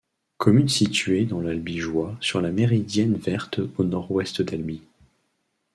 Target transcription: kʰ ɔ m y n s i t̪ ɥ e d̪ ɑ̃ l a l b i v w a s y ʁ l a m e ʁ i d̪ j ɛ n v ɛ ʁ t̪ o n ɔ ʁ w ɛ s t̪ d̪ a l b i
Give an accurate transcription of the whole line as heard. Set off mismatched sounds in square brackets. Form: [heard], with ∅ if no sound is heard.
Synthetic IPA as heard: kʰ ɔ m y n s i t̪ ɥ e d̪ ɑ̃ l a l b i [ʒ] w a s y ʁ l a m e ʁ i d̪ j ɛ n v ɛ ʁ t̪ o n ɔ ʁ w ɛ s t̪ d̪ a l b i